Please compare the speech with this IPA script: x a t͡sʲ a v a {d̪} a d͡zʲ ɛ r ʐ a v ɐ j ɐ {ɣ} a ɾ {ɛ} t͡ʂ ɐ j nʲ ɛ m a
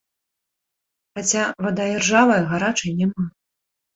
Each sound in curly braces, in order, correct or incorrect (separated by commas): correct, correct, incorrect